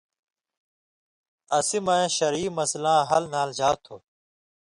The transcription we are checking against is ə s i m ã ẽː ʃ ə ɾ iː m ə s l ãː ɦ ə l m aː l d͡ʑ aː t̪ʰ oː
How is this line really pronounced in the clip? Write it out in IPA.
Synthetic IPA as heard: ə s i m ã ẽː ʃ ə ɾ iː m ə s l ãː ɦ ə l n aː l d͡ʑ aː t̪ʰ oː